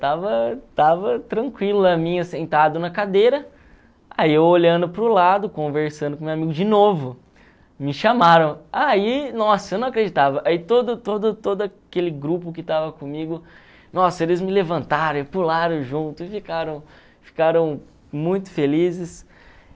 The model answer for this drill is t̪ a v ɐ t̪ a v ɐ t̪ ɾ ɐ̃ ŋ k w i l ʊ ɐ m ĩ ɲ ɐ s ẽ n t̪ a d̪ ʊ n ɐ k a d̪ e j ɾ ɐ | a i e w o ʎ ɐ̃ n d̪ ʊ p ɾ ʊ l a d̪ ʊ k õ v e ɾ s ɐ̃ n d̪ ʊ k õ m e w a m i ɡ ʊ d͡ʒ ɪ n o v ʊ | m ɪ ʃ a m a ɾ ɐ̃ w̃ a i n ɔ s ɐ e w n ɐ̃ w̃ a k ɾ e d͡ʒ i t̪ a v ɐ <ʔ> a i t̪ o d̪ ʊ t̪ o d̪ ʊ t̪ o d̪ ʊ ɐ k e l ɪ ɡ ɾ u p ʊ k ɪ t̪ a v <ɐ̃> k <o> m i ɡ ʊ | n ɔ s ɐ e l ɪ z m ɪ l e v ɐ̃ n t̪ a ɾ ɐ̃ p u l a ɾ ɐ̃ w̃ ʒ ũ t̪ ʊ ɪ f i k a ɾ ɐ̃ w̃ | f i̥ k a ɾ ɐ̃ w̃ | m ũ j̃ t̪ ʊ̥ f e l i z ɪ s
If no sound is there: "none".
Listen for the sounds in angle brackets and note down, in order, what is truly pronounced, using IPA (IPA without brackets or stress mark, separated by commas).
ʔ, ɐ, õ